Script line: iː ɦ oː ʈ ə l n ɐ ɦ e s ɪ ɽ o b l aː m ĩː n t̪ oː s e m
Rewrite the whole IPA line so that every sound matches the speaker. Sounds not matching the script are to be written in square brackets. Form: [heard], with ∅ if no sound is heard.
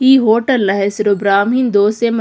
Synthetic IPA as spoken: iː ɦ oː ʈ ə l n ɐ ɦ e s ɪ [ɾ] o b [ɾ] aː m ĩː n [d̪] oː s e m